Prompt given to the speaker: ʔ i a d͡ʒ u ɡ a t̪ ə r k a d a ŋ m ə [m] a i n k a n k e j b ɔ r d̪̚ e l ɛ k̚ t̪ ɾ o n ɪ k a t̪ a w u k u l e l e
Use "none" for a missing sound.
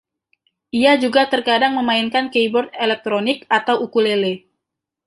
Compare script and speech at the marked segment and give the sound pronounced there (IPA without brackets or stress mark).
m